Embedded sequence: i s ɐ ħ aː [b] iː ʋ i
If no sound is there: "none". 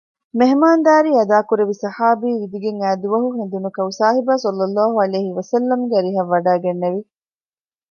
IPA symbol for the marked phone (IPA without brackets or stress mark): b